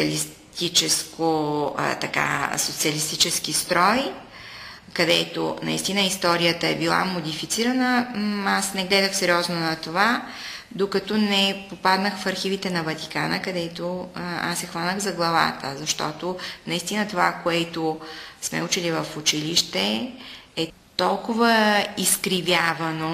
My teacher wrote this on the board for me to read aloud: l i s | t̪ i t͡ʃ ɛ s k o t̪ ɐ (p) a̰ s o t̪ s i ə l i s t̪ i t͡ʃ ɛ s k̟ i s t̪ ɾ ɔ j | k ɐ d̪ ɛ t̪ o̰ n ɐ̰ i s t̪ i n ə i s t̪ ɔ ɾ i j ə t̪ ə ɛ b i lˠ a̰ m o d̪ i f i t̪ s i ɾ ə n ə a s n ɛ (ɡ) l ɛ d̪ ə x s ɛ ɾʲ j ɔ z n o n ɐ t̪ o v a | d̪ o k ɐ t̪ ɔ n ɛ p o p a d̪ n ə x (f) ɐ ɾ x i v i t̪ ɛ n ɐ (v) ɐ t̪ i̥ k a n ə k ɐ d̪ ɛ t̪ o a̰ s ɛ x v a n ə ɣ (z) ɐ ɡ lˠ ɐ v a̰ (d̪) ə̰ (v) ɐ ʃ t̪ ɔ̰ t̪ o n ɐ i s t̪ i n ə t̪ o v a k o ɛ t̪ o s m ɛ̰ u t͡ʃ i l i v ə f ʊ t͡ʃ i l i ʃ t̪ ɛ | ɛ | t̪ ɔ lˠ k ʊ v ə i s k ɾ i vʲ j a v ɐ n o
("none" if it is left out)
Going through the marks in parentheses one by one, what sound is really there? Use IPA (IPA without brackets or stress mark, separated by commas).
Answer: k, ɡ, f, v, z, t̪, z